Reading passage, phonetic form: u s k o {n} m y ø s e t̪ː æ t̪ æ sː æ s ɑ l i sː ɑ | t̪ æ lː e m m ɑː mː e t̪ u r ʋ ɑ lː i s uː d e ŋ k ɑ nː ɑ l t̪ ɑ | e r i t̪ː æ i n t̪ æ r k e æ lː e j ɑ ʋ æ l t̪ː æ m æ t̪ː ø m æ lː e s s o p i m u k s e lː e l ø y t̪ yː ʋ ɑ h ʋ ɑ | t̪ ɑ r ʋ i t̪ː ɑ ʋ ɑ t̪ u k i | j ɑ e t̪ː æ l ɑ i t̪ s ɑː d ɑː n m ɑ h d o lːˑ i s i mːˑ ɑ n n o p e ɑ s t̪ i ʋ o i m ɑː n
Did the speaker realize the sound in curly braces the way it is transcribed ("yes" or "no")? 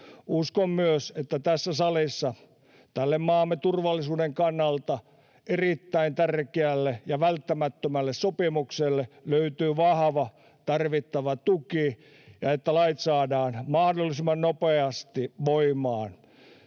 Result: no